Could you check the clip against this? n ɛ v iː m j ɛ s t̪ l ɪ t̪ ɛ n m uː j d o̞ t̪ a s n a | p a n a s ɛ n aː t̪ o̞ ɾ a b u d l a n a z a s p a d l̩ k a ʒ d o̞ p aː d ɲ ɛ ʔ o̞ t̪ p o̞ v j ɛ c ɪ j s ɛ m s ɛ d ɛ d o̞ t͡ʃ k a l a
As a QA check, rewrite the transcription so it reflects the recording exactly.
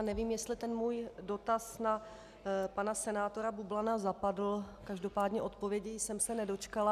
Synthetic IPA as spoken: n ɛ v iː m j ɛ s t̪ l ɪ t̪ ɛ n m uː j d o̞ t̪ a s n a | p a n a s ɛ n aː t̪ o̞ ɾ a b u b l a n a z a p a d l̩ k a ʒ d o̞ p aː d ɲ ɛ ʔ o̞ t̪ p o̞ v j ɛ ɟ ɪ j s ɛ m s ɛ n ɛ d o̞ t͡ʃ k a l a